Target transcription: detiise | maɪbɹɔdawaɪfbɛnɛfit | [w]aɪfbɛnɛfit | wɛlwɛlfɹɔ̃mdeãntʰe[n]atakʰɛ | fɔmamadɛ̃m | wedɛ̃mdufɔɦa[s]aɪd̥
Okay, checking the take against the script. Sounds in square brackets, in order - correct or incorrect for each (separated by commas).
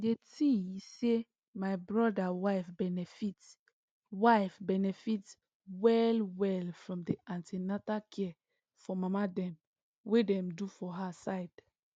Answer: correct, correct, correct